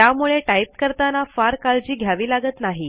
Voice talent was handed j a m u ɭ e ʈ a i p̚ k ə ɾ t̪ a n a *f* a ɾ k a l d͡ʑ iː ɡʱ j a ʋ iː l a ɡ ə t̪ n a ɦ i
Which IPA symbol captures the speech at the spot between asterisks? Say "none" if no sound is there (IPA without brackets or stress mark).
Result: f